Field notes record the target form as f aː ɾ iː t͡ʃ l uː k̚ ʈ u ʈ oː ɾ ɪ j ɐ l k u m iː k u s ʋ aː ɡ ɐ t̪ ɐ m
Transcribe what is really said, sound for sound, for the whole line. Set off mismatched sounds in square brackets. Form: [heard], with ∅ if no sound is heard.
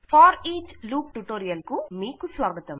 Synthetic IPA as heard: f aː ɾ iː t͡ʃ l uː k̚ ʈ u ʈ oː ɾ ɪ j ɐ l k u m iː k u s ʋ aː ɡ ɐ t̪ ɐ m